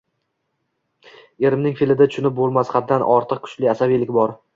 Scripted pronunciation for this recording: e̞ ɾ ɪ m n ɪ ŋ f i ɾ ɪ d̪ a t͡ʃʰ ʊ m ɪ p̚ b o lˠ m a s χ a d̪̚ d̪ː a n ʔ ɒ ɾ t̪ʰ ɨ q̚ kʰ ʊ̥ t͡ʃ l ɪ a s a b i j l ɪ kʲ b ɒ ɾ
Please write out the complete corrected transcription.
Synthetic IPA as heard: e̞ ɾ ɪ m n ɪ ŋ f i l ɪ d̪ a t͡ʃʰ ʊ n ɪ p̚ b o lˠ m a s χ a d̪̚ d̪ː a n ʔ ɒ ɾ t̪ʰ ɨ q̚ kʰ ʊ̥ t͡ʃ l ɪ a s a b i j l ɪ kʲ b ɒ ɾ

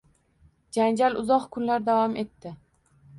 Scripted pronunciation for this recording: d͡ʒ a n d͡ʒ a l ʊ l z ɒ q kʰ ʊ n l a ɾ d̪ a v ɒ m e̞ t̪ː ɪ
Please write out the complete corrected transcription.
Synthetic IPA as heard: d͡ʒ a n d͡ʒ a l ʊ z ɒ q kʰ ʊ n l a ɾ d̪ a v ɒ m e̞ t̪ː ɪ

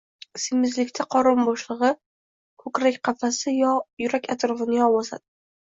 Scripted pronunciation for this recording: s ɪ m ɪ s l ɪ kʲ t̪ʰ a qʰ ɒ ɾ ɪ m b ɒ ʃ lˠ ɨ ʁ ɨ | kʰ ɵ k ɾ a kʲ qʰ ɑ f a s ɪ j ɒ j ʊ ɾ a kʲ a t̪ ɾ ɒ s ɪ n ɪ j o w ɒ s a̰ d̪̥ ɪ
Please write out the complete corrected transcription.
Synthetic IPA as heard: s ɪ m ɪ z l ɪ kʲ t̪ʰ a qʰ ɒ ɾ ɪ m b ɒ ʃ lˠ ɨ ʁ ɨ | kʰ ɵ k ɾ a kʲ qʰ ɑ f a s ɪ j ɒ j ʊ ɾ a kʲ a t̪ ɾ ɒ f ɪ n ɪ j ɒ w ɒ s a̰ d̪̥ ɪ

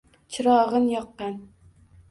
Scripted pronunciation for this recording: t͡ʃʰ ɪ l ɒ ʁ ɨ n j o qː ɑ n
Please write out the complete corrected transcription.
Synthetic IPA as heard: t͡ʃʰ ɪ ɾ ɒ ʁ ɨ n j ɒ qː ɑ n

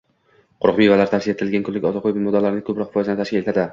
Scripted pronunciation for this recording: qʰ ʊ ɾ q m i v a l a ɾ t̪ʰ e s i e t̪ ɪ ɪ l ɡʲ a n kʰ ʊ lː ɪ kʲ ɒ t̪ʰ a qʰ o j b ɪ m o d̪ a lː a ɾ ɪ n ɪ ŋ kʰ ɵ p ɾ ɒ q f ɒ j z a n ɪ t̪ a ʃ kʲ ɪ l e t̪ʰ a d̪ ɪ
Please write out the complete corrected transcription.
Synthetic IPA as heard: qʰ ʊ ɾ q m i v a l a ɾ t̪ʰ a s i e t̪ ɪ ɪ l ɡʲ a n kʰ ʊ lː ɪ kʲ ɒ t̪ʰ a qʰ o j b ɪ m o d̪ a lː a ɾ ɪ n ɪ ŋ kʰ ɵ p ɾ ɒ q f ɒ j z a n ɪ t̪ a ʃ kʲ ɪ l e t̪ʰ a d̪ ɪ

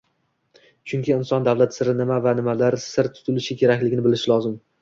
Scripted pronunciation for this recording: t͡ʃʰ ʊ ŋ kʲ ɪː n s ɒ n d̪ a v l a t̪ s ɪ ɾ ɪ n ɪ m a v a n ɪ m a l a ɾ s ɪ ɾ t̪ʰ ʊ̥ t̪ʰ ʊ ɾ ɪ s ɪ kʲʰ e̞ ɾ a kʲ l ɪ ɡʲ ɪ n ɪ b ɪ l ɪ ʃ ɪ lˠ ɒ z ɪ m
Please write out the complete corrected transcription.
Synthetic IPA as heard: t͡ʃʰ ʊ ŋ kʲ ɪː n s ɒ n d̪ a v l a t̪ s ɪ ɾ ɪ n ɪ m a v a n ɪ m a l a ɾ s ɪ ɾ t̪ʰ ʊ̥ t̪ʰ ʊ l ɪ ʃ ɪ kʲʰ e̞ ɾ a kʲ l ɪ ɡʲ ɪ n ɪ b ɪ l ɪ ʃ ɪ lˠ ɒ z ɪ m

